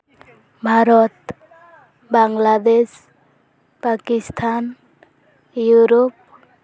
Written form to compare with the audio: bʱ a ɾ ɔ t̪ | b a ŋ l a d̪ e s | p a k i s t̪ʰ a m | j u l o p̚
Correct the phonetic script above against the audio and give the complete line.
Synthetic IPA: bʱ a ɾ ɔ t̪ | b a ŋ l a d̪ e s | p a k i s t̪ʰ a n | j u ɾ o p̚